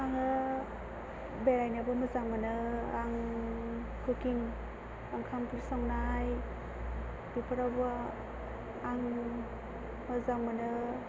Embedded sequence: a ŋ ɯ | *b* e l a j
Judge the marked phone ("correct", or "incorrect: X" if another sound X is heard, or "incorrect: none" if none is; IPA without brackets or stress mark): correct